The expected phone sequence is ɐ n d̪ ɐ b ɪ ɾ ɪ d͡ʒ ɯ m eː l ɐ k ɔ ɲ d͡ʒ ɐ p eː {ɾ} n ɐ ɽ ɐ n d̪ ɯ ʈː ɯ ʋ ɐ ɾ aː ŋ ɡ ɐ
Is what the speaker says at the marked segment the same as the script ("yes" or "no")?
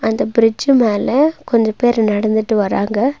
yes